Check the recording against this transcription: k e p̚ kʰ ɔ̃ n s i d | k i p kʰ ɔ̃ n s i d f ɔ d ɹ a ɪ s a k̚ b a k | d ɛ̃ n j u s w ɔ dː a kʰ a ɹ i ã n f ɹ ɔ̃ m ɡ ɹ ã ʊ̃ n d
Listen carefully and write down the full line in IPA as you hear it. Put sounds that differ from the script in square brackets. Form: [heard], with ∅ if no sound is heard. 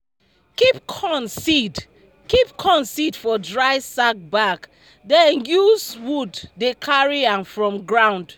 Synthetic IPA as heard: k [i] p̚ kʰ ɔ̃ n s i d | k i p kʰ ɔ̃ n s i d f ɔ d ɹ a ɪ s a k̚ b a k | d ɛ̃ n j u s w [u] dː [e] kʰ a ɹ i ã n f ɹ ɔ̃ m ɡ ɹ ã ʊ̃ n d